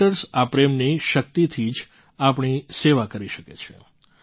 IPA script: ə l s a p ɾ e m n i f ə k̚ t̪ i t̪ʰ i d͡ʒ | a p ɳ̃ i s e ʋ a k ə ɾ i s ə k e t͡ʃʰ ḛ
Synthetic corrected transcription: ə ɾ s a p ɾ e m n i ʃ ə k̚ t̪ i t̪ʰ i d͡ʒ | a p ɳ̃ i s e ʋ a k ə ɾ i ʃ ə k e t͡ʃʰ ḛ